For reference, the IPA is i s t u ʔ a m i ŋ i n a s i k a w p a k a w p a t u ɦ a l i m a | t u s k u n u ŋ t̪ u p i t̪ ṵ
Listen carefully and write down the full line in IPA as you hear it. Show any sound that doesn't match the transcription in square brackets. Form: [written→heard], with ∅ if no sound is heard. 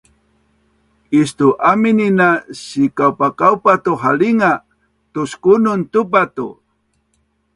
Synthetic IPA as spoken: i s t u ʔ a m i [ŋ→n] i n a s i k a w p a k a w p a t u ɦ a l i [m→ŋ] a | t u s k u n u [ŋ→n] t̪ u p [i→a] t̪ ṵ